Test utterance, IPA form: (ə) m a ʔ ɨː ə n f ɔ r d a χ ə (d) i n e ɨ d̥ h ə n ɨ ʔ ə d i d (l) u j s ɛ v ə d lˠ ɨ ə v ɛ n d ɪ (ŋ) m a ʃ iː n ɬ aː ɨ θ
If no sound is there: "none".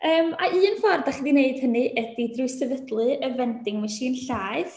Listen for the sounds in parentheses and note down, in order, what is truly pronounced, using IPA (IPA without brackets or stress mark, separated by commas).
əː, d, r, ŋ